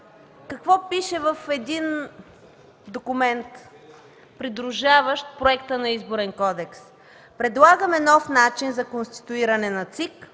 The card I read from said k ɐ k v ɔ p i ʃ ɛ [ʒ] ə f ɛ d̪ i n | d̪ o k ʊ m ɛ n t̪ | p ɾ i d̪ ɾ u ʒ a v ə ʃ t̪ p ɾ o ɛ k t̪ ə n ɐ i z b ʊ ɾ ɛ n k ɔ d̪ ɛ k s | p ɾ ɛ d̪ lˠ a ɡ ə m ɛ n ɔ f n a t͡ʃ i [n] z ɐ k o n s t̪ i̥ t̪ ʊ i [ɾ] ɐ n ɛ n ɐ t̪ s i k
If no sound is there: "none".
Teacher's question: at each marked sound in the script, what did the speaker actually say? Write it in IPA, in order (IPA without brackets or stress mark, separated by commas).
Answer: v, n, ɾ